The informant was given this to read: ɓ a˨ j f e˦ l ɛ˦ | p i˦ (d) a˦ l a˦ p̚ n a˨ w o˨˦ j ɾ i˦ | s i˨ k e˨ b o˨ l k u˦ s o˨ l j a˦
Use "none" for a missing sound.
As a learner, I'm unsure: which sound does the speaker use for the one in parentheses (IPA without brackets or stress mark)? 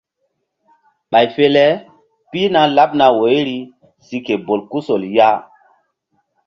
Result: n